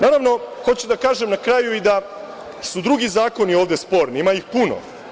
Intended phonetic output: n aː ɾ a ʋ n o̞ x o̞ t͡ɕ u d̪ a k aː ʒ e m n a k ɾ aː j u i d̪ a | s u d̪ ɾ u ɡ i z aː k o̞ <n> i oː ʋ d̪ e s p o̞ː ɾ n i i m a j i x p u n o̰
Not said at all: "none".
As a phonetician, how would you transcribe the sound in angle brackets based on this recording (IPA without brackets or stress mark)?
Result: n